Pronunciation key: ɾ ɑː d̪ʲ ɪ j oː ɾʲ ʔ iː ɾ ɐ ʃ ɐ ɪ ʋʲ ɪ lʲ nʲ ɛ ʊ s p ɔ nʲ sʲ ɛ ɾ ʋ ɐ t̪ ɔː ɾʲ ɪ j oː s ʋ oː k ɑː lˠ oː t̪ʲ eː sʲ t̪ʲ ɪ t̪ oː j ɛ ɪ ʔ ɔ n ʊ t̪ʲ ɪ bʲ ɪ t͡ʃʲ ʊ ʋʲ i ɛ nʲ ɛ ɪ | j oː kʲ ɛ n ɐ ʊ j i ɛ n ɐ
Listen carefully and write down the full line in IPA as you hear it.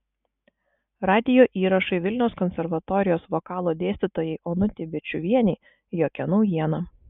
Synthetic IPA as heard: ɾ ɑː d̪ʲ ɪ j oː ʔ iː ɾ ɐ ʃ ɐ ɪ ʋʲ ɪ lʲ nʲ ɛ ʊ s k ɔ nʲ sʲ ɛ ɾ ʋ ɐ t̪ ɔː ɾʲ ɪ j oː s ʋ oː k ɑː lˠ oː d̪ʲ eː sʲ t̪ʲ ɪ t̪ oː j ɛ ɪ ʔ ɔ n ʊ t̪ʲ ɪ bʲ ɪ t͡ʃʲ ʊ ʋʲ i ɛ nʲ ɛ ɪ | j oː kʲ ɛ n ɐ ʊ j i ɛ n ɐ

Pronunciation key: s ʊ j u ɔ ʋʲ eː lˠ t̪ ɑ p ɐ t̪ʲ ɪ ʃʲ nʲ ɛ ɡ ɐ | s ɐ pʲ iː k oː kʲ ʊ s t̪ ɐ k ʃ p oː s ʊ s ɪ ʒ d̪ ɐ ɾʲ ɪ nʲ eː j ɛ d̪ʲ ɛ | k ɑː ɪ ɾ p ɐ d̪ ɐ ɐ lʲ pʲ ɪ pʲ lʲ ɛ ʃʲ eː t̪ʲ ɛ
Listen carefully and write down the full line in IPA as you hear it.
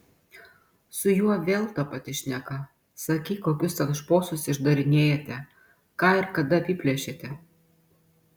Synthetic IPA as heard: s ʊ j u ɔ ʋʲ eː lˠ t̪ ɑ p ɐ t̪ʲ ɪ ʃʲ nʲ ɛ k ɐ | s ɐ kʲ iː k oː kʲ ʊ s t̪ ɐ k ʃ p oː s ʊ s ɪ ʒ d̪ ɐ ɾʲ ɪ nʲ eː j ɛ t̪ʲ ɛ | k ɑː ɪ ɾ k ɐ d̪ ɐ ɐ pʲ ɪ pʲ lʲ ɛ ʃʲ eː t̪ʲ ɛ

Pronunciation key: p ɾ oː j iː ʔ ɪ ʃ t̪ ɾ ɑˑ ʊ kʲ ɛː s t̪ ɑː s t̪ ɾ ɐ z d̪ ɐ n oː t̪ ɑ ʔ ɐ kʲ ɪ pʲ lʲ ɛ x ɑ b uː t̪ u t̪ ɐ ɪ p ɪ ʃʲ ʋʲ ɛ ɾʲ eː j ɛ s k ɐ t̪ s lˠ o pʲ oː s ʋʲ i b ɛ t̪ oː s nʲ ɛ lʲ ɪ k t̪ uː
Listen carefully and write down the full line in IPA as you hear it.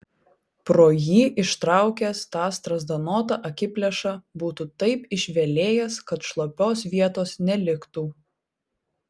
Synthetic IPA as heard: p ɾ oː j iː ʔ ɪ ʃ t̪ ɾ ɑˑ ʊ kʲ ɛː s t̪ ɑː s t̪ ɾ ɐ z d̪ ɐ n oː t̪ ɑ ʔ ɐ kʲ ɪ pʲ lʲ ɛ ʃ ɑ b uː t̪ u t̪ ɐ ɪ p ɪ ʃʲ ʋʲ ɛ lʲ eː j ɛ s k ɐ t̪ ʃ lˠ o pʲ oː s ʋʲ i ɛ t̪ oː s nʲ ɛ lʲ ɪ k t̪ uː

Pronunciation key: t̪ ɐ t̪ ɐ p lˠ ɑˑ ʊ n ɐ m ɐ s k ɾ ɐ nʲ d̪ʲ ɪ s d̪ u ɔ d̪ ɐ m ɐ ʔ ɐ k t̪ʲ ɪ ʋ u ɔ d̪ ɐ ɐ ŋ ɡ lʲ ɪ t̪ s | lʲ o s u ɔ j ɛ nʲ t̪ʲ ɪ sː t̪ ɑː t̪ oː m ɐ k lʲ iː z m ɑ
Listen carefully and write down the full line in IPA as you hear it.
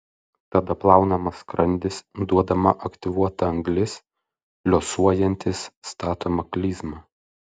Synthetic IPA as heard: t̪ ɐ d̪ ɐ p lˠ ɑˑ ʊ n ɐ m ɐ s k ɾ ɐ nʲ d̪ʲ ɪ s d̪ u ɔ d̪ ɐ m ɐ ʔ ɐ k t̪ʲ ɪ ʋ u ɔ t̪ ɐ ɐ ŋ ɡ lʲ ɪ s | lʲ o s u ɔ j ɛ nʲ t̪ʲ ɪ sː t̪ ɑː t̪ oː m ɐ k lʲ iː z m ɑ

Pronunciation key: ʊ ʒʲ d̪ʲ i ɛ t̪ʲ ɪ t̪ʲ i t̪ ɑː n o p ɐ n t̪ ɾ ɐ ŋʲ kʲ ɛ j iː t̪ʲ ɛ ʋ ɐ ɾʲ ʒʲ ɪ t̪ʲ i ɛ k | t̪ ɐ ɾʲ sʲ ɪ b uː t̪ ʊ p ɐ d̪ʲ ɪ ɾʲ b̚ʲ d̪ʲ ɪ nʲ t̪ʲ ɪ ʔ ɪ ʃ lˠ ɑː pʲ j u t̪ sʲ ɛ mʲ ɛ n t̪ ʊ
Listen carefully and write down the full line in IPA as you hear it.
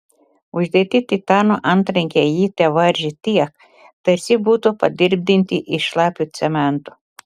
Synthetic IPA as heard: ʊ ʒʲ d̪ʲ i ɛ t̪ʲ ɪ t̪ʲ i t̪ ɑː n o ʔ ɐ n t̪ ɾ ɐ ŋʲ kʲ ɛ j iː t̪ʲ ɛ ʋ ɐ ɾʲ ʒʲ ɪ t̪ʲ i ɛ k | t̪ ɐ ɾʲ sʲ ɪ b uː t̪ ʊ p ɐ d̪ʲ ɪ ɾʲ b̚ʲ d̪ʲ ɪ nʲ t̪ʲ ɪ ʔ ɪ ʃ lˠ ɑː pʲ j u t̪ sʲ ɛ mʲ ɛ n t̪ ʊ

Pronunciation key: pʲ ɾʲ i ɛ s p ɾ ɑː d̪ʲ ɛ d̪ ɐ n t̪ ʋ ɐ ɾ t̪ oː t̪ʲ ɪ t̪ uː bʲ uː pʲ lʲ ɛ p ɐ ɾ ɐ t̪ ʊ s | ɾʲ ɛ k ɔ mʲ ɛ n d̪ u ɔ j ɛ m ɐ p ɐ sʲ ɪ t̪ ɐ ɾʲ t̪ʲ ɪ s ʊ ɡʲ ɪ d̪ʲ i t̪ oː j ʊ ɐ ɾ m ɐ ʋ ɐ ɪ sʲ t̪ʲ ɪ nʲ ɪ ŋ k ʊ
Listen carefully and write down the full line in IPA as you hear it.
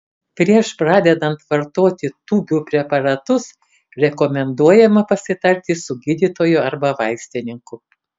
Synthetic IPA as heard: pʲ ɾʲ i ɛ ʃ p ɾ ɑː d̪ʲ ɛ d̪ ɐ n t̪ ʋ ɐ ɾ t̪ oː t̪ʲ ɪ t̪ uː bʲ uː pʲ ɾʲ ɛ p ɐ ɾ ɐ t̪ ʊ s | ɾʲ ɛ k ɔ mʲ ɛ n d̪ u ɔ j ɛ m ɐ p ɐ sʲ ɪ t̪ ɐ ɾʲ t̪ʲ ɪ s ʊ ɡʲ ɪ d̪ʲ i t̪ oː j ʊ ɐ ɾ b ɐ ʋ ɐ ɪ sʲ t̪ʲ ɪ nʲ ɪ ŋ k ʊ

